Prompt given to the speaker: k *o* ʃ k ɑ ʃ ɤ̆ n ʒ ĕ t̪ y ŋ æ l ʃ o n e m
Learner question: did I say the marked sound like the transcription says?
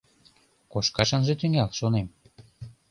yes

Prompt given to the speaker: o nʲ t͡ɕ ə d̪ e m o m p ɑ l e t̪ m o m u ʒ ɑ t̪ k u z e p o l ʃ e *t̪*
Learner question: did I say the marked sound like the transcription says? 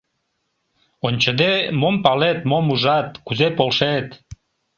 yes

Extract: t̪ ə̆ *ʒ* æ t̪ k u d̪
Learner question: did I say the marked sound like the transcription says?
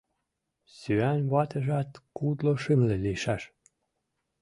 yes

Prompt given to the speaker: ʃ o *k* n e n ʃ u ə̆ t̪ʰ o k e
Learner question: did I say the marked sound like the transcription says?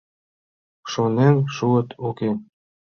no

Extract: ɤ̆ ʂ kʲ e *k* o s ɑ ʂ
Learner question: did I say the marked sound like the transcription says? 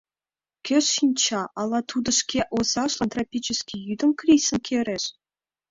no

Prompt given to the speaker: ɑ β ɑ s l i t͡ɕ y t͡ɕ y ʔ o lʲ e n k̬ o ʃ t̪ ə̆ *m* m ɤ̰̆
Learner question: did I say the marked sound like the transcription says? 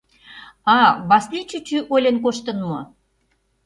no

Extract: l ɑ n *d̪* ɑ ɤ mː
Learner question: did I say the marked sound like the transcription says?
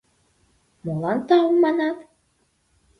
no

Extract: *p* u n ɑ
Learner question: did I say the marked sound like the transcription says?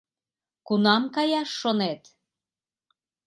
no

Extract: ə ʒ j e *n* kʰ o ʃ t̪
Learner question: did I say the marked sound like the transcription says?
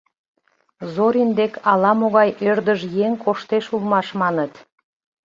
no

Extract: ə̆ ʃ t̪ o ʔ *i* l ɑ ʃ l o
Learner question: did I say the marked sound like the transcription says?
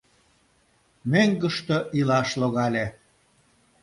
yes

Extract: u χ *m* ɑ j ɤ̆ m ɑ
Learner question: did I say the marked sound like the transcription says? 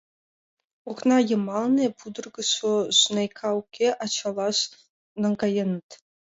no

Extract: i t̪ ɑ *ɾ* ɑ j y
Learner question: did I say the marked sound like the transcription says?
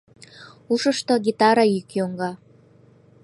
yes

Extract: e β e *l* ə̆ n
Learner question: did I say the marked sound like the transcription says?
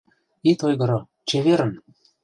no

